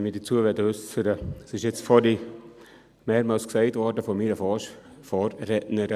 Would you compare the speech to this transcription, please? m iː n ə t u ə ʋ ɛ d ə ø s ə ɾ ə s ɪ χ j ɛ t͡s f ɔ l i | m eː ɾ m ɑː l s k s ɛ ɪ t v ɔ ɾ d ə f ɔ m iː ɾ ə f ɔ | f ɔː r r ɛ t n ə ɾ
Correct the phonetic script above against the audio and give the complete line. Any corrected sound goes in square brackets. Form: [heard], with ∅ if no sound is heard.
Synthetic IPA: m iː [d] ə [t͡s] u ə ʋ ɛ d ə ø s ə ɾ ə s ɪ [ʃ] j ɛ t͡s f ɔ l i | m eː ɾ m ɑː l s k s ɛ ɪ t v ɔ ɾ d ə f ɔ m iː ɾ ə f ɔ | f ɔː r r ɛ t n ə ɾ